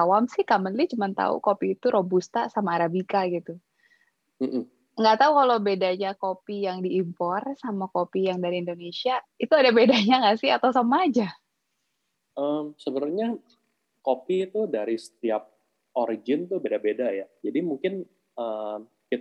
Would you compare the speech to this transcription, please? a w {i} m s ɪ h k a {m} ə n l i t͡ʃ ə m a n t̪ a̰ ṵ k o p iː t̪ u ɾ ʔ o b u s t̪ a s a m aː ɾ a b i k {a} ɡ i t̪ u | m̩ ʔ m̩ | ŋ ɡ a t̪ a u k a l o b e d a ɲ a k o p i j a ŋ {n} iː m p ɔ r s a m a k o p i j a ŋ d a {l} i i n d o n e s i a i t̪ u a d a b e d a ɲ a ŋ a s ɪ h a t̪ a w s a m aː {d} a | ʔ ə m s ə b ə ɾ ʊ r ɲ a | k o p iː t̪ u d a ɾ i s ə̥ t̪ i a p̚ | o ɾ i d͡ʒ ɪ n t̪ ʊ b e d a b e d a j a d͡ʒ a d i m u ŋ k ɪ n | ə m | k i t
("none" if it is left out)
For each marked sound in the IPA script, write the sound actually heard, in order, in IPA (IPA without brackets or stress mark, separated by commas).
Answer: a, m, a, d, ɾ, d͡ʒ